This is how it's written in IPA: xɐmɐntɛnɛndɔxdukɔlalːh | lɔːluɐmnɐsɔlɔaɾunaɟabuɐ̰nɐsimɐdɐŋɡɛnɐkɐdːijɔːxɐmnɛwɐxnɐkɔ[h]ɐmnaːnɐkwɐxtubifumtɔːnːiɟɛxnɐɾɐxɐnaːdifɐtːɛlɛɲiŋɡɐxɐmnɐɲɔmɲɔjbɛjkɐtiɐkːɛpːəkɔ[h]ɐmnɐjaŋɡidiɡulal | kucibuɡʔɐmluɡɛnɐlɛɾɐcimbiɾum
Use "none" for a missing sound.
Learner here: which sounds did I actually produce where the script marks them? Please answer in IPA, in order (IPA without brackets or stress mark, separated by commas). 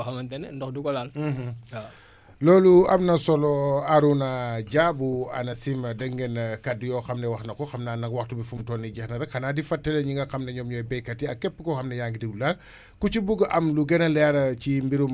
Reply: x, x